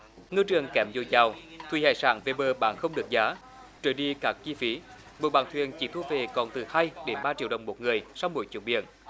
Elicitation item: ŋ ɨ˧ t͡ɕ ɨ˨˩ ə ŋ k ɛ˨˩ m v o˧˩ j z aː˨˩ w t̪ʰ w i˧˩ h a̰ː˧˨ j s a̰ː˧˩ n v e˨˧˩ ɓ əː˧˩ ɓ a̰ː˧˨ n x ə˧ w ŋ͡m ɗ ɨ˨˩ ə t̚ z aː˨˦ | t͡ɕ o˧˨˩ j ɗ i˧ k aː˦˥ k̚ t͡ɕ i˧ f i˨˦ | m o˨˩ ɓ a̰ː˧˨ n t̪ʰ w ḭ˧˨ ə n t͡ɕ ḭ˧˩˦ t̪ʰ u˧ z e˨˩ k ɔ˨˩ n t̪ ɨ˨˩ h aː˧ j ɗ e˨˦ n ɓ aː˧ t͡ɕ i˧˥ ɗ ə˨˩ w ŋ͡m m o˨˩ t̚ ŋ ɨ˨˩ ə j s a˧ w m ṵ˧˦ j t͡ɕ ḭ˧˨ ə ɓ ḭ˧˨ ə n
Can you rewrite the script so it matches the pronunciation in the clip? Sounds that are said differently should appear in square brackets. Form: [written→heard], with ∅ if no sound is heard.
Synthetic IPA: ŋ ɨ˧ t͡ɕ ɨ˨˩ ə ŋ k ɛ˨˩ m [v→z] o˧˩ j z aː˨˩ w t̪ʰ w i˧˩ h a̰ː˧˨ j s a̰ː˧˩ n v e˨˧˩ ɓ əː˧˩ ɓ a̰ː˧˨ n x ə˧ w ŋ͡m ɗ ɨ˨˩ ə [t̚→k̚] z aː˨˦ | t͡ɕ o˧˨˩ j ɗ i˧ k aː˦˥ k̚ t͡ɕ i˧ f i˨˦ | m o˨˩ ɓ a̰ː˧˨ n t̪ʰ w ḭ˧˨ ə n t͡ɕ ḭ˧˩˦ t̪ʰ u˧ [z→v] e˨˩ k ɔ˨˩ n t̪ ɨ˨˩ h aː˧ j ɗ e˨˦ n ɓ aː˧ t͡ɕ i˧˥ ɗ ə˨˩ w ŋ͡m m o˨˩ t̚ ŋ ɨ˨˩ ə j s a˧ w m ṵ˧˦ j t͡ɕ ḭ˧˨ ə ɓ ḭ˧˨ ə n